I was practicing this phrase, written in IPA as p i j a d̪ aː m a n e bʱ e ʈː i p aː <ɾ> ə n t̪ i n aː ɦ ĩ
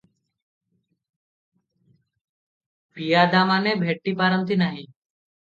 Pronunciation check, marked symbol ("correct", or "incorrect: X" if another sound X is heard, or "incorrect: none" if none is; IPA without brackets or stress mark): correct